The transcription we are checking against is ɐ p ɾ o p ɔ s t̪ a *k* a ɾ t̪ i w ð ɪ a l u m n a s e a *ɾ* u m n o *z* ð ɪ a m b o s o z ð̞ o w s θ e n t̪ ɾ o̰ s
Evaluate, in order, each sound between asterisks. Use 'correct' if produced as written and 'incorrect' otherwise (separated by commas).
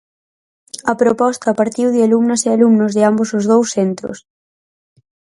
incorrect, incorrect, correct